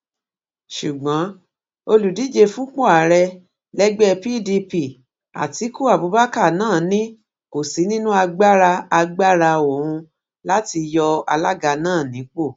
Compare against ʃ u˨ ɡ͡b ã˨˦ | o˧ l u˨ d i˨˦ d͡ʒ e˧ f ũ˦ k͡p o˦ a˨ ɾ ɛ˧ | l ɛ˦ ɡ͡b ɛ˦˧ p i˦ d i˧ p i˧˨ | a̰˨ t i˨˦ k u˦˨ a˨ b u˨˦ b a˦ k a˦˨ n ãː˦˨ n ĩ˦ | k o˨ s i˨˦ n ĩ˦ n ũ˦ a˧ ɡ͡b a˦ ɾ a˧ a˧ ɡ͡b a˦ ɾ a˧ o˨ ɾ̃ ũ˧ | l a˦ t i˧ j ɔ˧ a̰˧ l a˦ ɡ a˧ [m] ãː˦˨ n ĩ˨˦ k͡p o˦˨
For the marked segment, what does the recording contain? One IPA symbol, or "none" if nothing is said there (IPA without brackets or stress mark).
n